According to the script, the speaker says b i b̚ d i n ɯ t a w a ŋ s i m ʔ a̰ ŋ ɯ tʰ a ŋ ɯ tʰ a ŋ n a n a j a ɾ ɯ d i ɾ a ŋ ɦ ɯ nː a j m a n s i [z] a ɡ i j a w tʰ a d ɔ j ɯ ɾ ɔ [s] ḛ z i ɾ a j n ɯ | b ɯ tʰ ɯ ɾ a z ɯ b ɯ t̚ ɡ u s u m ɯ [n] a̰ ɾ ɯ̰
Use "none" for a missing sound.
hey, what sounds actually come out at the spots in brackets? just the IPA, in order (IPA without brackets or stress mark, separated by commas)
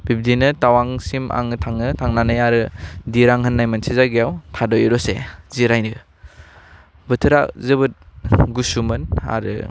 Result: z, s, n